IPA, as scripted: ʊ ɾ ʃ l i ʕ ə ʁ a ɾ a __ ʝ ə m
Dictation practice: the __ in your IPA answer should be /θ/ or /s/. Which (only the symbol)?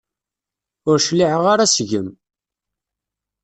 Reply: s